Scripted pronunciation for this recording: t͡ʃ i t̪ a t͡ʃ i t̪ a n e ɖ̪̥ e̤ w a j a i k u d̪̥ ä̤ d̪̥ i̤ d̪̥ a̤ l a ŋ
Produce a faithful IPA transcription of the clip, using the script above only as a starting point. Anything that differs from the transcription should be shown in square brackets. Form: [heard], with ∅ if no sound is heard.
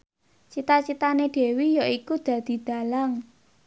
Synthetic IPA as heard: t͡ʃ i t̪ a t͡ʃ i t̪ a n e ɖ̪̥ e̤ w [i] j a i k u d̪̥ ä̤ d̪̥ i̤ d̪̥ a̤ l a ŋ